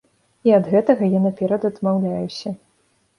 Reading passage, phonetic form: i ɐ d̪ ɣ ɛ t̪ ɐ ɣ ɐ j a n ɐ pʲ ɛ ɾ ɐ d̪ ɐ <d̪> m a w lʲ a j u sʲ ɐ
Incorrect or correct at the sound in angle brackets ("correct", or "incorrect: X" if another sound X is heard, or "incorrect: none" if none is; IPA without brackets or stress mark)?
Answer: correct